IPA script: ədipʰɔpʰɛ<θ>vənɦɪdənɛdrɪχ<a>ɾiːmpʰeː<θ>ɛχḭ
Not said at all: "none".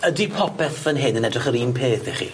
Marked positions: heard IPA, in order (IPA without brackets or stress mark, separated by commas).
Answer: θ, ə, θ